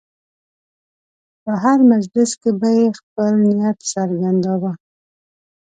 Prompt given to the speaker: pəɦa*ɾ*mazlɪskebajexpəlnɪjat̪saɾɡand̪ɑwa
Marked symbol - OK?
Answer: yes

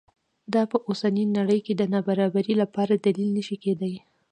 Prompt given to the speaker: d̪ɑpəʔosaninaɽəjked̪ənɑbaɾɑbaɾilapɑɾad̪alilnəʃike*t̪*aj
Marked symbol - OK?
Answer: no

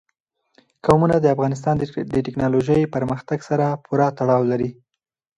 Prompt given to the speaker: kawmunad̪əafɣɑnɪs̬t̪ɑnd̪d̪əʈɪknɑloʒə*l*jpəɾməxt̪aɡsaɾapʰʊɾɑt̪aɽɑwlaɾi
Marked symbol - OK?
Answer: no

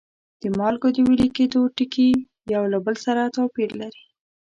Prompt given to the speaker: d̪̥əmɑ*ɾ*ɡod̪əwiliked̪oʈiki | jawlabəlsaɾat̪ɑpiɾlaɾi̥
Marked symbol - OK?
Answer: no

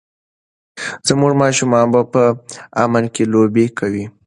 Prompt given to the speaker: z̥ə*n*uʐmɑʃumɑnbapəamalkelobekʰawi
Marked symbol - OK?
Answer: no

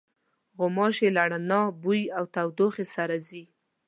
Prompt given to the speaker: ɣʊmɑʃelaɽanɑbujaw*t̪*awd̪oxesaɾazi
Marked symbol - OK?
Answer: yes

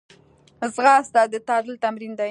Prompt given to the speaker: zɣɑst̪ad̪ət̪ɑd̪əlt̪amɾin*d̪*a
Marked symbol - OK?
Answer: yes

